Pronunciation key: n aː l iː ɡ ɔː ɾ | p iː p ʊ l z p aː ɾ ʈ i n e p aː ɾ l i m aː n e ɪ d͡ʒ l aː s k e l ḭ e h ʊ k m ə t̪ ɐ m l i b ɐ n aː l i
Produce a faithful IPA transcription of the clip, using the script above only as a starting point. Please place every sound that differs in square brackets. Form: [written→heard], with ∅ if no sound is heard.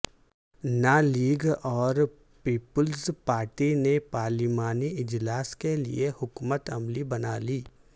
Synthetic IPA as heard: n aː l iː ɡ ɔː ɾ | p iː p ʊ l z p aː ɾ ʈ i n e p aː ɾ l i m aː n [e→i] ɪ d͡ʒ l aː s k e l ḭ e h ʊ k m ə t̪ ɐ m l i b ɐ n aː l [i→iː]